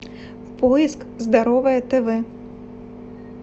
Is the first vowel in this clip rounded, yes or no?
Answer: yes